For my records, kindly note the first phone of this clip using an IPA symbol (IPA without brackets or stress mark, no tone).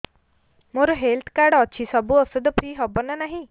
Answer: m